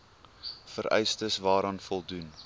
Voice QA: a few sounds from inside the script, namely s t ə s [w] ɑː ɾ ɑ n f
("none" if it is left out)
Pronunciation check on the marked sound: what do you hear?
v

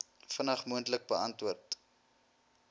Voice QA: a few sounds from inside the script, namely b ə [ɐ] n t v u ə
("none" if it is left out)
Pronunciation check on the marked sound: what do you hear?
ɐ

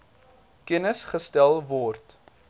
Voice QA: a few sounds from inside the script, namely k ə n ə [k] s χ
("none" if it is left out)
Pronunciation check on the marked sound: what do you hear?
none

